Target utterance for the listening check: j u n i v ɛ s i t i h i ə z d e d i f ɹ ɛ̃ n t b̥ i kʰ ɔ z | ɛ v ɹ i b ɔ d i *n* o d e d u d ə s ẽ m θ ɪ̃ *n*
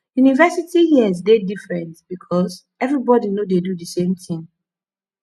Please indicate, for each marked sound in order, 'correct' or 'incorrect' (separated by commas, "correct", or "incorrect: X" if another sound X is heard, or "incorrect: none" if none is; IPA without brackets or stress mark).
correct, incorrect: ŋ